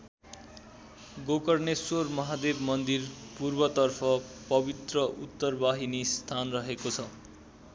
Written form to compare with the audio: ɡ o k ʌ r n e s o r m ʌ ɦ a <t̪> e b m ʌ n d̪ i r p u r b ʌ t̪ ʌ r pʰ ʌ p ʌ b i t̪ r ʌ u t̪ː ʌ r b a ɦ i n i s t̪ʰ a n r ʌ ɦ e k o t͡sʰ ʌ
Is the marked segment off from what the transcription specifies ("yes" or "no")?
yes